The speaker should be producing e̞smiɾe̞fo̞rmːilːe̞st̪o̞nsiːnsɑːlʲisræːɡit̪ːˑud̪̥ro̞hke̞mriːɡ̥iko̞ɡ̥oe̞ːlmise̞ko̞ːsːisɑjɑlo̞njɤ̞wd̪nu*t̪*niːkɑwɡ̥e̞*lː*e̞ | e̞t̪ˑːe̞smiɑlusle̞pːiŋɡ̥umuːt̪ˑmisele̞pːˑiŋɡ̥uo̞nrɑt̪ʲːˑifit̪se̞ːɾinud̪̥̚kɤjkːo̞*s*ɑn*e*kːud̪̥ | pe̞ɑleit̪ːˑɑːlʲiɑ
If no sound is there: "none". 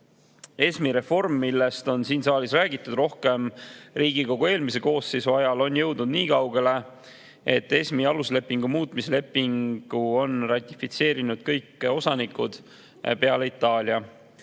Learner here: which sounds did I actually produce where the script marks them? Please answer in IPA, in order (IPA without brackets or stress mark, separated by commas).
d̪, l, s, i